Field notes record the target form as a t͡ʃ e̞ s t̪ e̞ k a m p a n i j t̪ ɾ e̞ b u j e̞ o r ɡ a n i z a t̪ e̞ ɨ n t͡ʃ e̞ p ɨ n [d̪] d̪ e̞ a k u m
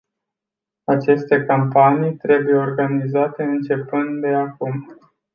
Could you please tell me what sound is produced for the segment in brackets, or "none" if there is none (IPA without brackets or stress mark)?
t̪